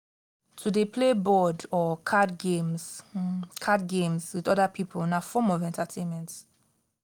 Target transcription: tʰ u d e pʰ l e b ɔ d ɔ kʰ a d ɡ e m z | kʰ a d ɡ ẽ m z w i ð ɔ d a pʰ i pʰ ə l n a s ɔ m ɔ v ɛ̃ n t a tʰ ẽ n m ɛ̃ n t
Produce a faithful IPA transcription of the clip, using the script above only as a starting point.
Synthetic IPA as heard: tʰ u d e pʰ l e b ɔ d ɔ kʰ a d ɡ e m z | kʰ a d ɡ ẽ m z w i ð ɔ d a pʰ i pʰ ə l n a f ɔ m ɔ v ɛ̃ n t a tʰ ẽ n m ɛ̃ n t